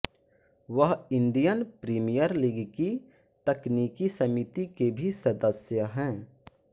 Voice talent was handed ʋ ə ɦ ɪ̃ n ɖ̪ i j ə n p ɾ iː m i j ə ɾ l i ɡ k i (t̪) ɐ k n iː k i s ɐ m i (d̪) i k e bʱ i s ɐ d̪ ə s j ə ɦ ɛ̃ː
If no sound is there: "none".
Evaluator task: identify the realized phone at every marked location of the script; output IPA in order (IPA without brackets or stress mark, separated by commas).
t̪, t̪